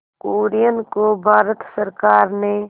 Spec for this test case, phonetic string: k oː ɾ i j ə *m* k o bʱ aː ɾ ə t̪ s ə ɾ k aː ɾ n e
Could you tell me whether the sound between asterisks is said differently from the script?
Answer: yes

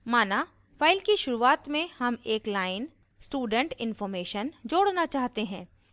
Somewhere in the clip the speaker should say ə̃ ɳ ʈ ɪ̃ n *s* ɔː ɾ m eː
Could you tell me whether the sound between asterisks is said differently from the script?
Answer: yes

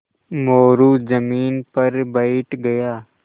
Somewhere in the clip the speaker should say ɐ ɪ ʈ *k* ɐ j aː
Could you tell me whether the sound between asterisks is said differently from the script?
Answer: yes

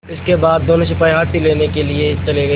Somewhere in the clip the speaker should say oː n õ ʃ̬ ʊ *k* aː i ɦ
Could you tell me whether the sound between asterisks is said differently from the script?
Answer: yes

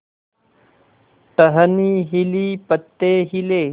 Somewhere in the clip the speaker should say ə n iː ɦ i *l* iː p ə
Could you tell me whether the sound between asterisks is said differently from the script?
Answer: no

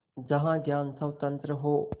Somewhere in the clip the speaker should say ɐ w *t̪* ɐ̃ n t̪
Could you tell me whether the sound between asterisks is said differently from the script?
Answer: no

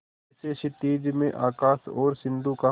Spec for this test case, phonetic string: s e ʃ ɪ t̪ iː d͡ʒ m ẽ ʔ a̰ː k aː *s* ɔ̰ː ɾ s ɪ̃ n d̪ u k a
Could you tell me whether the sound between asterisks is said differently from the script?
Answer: no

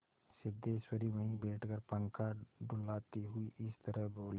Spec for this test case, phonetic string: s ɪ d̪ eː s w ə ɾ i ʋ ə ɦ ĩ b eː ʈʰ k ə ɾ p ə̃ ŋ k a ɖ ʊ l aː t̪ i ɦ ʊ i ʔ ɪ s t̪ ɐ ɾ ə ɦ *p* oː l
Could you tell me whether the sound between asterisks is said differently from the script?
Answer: yes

